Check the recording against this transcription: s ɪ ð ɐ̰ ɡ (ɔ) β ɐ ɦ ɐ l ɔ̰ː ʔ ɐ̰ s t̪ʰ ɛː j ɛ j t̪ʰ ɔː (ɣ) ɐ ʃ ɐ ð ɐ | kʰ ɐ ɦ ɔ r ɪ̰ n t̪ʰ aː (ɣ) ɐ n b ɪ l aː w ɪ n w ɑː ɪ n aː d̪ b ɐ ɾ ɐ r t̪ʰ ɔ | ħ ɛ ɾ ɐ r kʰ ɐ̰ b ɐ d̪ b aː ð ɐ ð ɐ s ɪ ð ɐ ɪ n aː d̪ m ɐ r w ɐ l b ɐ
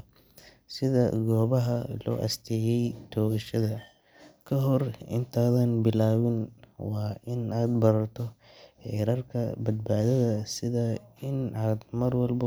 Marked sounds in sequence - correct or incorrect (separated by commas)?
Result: incorrect, correct, incorrect